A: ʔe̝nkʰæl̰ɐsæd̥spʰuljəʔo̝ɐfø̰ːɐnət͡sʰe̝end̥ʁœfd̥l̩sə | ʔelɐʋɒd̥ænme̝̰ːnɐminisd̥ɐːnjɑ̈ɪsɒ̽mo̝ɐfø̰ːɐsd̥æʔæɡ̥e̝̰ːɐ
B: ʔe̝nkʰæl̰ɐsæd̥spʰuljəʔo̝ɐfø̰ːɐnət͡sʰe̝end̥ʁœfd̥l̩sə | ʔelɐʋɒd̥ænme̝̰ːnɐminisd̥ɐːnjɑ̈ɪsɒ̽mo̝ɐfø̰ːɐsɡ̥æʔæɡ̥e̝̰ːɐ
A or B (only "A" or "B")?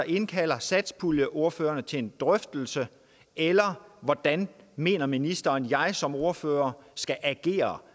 B